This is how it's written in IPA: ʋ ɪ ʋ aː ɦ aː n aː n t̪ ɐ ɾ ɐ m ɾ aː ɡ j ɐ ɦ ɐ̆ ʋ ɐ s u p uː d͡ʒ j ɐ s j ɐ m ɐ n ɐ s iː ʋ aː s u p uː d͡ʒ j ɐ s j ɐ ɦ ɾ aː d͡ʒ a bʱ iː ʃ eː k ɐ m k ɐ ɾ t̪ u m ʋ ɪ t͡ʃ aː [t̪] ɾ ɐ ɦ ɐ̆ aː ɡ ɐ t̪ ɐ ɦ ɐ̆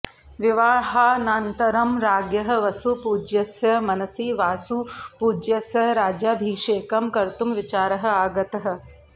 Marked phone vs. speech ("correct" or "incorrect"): incorrect